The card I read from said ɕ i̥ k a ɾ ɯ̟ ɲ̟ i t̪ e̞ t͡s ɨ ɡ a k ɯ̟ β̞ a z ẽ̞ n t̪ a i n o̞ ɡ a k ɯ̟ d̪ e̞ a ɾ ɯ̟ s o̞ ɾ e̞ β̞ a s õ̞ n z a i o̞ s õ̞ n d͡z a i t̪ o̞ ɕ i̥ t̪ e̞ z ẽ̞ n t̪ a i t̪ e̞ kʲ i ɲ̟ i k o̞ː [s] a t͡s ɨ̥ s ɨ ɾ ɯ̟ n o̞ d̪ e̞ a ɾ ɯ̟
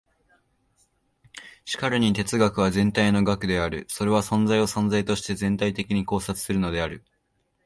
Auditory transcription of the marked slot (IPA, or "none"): s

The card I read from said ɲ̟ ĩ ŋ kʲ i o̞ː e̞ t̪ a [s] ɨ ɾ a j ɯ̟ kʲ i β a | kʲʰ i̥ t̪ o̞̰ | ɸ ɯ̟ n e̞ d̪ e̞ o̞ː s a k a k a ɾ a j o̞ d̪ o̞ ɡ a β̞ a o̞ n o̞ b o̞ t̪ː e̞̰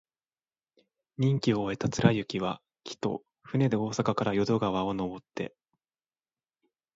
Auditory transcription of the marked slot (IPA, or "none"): t͡s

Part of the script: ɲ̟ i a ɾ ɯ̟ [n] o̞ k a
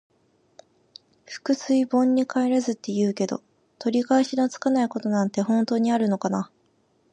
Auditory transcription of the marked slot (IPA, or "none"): n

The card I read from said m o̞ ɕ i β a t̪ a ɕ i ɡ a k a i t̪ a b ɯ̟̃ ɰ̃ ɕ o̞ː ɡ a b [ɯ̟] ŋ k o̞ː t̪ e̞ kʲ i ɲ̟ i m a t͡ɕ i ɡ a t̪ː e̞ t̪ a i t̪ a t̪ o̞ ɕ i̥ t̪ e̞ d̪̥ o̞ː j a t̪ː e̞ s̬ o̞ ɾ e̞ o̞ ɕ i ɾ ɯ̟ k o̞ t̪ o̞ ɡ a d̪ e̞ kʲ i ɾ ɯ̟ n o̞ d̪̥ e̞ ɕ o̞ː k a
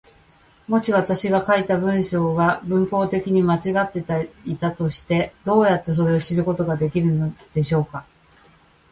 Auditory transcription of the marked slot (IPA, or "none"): ɯ̟̃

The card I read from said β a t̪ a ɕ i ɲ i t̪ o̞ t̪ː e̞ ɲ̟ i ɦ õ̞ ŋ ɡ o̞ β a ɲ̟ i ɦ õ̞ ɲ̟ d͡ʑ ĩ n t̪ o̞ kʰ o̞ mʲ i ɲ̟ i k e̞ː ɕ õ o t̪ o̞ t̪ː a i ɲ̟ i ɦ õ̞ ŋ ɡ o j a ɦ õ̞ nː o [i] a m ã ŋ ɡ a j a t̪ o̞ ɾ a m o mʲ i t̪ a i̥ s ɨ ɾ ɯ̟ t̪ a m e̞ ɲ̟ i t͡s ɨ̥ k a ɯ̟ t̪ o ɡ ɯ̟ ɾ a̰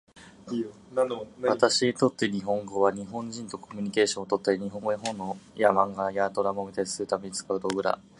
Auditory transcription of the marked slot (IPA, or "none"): j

